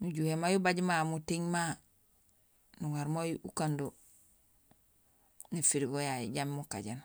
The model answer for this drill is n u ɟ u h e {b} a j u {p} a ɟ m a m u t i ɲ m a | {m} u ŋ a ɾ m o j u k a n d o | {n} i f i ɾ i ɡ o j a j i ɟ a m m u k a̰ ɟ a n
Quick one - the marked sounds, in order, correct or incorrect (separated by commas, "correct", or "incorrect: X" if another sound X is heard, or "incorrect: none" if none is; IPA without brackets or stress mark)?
incorrect: m, incorrect: b, incorrect: n, correct